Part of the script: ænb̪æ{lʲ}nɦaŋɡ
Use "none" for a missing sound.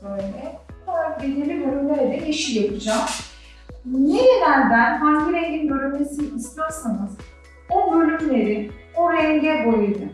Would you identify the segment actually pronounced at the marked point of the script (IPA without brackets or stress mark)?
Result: none